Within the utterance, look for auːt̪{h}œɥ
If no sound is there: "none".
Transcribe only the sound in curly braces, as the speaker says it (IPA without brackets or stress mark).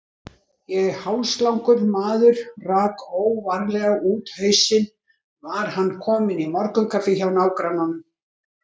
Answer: h